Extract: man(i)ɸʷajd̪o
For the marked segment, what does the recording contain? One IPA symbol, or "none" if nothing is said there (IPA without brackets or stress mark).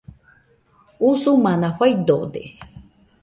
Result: a